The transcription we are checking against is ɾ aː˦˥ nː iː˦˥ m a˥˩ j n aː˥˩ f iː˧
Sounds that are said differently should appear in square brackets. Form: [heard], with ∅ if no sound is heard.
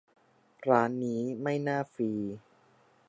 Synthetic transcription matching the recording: ɾ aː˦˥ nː iː˦˥ m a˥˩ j n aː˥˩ f iː˧

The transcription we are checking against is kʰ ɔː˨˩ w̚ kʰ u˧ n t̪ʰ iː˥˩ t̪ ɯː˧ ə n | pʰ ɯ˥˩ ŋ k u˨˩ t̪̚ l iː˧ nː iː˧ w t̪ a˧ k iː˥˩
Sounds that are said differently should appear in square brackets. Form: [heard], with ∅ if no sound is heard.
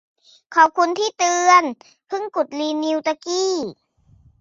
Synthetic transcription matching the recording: kʰ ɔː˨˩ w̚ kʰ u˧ n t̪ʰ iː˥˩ t̪ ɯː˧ ə n | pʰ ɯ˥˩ ŋ k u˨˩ t̪̚ l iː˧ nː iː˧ w t̪ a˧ k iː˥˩

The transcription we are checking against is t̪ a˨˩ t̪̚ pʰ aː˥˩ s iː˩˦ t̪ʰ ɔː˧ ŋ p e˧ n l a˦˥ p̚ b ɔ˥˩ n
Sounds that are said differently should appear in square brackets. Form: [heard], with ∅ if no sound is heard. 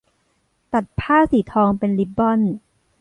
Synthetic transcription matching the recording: t̪ a˨˩ t̪̚ pʰ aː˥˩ s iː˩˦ t̪ʰ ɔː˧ ŋ p e˧ n l [i˦˥] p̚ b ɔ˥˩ n

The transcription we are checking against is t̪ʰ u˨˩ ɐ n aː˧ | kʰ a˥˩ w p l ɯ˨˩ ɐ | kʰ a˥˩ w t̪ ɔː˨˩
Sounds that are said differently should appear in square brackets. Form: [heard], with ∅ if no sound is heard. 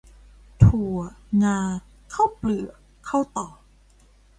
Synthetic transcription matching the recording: t̪ʰ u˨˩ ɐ [ŋ] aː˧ | kʰ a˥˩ w p l ɯ˨˩ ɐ | kʰ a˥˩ w t̪ ɔː˨˩

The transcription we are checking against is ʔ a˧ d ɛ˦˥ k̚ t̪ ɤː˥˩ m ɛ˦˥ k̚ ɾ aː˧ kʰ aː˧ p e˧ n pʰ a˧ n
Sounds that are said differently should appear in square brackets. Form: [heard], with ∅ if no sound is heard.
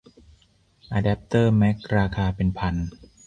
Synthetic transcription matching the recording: ʔ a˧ d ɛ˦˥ [p̚] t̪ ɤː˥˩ m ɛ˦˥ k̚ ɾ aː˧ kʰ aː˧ p e˧ n pʰ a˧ n

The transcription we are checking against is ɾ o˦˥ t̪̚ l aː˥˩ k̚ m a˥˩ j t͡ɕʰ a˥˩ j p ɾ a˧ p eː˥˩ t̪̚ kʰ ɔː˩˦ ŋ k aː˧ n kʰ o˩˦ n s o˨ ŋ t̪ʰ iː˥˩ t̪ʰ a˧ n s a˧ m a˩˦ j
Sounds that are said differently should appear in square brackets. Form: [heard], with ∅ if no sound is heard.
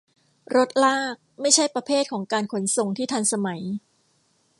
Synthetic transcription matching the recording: ɾ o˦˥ t̪̚ l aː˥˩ k̚ m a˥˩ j t͡ɕʰ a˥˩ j p ɾ a˧ [pʰ] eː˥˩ t̪̚ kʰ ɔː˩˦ ŋ k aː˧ n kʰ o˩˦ n s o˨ ŋ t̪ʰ iː˥˩ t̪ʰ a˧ n s a˧ m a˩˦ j

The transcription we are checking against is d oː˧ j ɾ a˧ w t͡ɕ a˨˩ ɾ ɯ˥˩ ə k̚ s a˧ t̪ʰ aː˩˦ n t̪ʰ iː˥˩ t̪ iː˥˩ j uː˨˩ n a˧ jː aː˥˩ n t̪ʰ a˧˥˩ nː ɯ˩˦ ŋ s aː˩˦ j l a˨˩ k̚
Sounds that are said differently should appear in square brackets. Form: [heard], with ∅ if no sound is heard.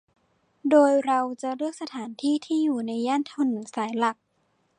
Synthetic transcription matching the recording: d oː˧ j ɾ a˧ w t͡ɕ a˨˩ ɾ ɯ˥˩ ə k̚ s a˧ t̪ʰ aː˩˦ n t̪ʰ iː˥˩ [t̪ʰ] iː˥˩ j uː˨˩ n a˧ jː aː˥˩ n t̪ʰ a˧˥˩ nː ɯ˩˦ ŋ s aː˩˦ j l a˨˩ k̚

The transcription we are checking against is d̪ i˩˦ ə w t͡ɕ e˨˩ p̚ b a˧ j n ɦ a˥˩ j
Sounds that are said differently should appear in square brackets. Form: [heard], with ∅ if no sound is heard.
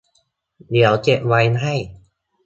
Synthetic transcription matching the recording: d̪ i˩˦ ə w t͡ɕ e˨˩ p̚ [w] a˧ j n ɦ a˥˩ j

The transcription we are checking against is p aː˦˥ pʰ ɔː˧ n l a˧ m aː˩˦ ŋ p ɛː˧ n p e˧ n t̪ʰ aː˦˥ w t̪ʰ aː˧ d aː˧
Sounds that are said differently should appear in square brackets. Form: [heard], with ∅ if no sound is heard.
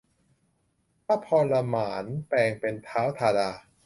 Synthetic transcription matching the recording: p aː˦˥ pʰ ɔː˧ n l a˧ m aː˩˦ [n] p ɛː˧ [ŋ] p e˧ n t̪ʰ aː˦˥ w t̪ʰ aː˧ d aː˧

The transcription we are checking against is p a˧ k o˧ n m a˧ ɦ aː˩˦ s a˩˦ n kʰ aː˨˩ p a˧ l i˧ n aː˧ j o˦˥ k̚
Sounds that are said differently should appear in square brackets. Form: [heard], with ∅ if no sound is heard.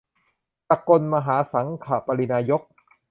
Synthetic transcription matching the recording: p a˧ k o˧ n m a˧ ɦ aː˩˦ s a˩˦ [ŋ] kʰ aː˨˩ p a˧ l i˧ n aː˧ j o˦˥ k̚

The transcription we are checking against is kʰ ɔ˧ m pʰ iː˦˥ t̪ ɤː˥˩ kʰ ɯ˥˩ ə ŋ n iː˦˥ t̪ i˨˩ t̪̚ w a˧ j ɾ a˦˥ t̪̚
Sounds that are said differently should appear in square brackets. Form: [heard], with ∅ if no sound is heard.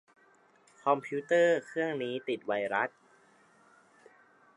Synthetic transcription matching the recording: kʰ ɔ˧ m pʰ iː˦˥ t̪ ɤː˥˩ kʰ ɯ˥˩ ə ŋ n iː˦˥ t̪ i˨˩ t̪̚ w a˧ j ɾ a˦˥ t̪̚

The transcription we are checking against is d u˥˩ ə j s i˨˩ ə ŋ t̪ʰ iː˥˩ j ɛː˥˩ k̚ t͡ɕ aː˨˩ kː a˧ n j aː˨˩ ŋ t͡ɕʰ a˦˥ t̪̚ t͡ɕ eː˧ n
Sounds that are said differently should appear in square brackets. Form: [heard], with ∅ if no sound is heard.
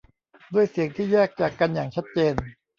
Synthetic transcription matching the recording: d u˥˩ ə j s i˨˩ ə ŋ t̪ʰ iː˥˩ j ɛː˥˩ k̚ t͡ɕ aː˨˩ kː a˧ n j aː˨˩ ŋ t͡ɕʰ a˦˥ t̪̚ t͡ɕ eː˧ n

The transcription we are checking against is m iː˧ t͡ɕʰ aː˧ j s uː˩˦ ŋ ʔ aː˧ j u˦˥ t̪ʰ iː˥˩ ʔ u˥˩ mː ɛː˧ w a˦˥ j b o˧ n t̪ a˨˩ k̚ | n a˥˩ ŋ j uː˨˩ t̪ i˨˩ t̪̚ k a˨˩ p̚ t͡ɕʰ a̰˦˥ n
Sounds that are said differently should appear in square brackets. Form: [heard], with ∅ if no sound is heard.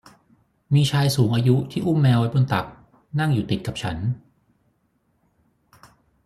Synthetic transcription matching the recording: m iː˧ t͡ɕʰ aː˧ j s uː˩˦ ŋ ʔ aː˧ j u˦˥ t̪ʰ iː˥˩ ʔ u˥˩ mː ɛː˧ w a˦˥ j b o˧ n t̪ a˨˩ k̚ | n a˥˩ ŋ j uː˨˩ t̪ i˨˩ t̪̚ k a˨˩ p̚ t͡ɕʰ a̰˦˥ n

